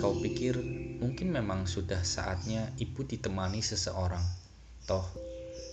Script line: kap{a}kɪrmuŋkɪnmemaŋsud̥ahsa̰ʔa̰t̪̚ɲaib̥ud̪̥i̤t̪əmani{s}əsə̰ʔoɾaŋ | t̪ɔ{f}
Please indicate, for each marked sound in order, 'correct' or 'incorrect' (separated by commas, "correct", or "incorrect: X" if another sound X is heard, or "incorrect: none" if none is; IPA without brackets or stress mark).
incorrect: i, correct, incorrect: h